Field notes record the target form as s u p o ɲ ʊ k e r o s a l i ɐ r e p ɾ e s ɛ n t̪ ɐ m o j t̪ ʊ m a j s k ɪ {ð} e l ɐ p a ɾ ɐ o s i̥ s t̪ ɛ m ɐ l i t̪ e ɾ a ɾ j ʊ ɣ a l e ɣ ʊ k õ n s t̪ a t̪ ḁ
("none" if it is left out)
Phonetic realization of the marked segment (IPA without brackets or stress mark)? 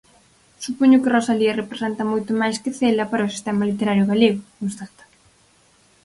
θ